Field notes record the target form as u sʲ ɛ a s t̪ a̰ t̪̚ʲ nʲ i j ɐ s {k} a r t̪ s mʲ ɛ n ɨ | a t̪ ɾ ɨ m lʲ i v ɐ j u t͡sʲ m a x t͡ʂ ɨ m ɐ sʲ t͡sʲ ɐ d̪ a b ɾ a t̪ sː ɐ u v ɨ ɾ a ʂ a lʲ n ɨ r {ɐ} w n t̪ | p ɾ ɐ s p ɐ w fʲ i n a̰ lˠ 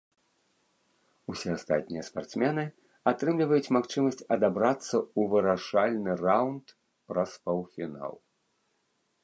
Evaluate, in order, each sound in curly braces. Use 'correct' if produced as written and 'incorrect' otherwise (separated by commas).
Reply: incorrect, incorrect